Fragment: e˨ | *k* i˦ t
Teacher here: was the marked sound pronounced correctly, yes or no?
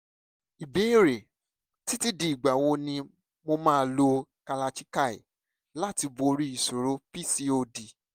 no